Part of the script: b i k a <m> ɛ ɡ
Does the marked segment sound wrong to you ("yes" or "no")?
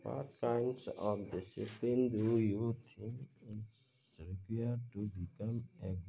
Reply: no